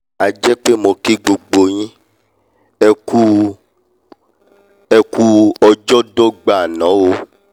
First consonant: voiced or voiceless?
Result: voiced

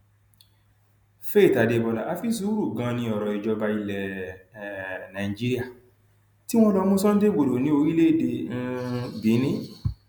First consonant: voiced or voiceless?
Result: voiceless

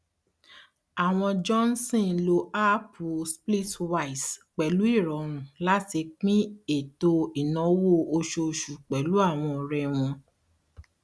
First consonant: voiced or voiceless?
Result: voiced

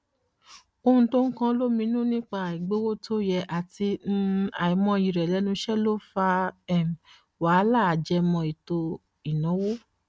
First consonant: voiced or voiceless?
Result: voiceless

